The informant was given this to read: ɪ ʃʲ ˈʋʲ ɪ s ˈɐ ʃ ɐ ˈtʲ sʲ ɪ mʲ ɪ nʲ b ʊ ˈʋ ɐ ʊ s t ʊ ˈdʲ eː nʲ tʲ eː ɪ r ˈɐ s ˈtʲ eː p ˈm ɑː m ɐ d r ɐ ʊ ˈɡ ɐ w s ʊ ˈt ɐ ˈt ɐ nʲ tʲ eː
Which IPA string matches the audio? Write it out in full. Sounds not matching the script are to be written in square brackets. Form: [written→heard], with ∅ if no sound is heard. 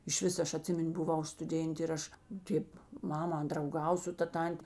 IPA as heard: ɪ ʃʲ ˈʋʲ ɪ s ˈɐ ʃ ɐ ˈtʲ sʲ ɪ mʲ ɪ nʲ b ʊ ˈʋ ɐ ʊ s t ʊ ˈdʲ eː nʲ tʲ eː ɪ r ˈɐ [s→ʃ] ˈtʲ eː p ˈm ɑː m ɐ d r ɐ ʊ ˈɡ ɐ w s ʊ ˈt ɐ ˈt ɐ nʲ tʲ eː